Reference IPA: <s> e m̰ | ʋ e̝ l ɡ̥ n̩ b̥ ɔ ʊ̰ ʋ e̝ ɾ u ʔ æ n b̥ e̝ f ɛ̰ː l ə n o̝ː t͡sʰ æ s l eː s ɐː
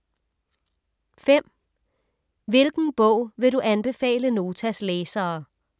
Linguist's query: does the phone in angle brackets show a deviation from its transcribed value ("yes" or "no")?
yes